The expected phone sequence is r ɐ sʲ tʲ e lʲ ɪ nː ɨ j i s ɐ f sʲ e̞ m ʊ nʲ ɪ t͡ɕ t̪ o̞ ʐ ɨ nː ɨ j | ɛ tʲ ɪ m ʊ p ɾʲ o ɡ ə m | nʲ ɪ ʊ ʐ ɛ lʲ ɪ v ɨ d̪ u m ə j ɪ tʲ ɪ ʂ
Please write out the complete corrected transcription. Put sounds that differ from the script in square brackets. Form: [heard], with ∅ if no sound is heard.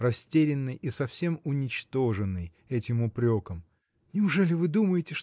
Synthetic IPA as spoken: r ɐ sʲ tʲ e [ɾʲ] ɪ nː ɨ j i s ɐ f sʲ e̞ m ʊ nʲ ɪ t͡ɕ t̪ o̞ ʐ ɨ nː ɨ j | ɛ tʲ ɪ m ʊ p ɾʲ o [k] ə m | nʲ ɪ ʊ ʐ ɛ lʲ ɪ v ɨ d̪ u m ə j ɪ tʲ ɪ ʂ